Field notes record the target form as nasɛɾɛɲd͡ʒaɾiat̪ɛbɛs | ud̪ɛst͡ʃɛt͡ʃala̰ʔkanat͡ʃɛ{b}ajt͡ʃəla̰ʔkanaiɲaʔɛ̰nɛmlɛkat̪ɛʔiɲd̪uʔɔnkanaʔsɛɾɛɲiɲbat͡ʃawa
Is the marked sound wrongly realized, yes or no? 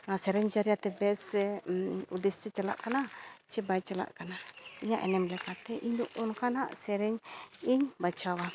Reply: no